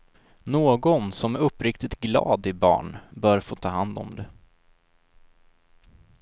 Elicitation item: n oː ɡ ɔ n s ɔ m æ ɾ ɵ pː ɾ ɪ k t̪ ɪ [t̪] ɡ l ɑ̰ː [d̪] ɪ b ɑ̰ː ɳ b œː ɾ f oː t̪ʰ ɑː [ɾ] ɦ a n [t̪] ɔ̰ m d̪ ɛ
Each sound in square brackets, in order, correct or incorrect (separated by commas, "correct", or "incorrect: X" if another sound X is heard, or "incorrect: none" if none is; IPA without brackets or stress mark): correct, correct, incorrect: none, incorrect: d̪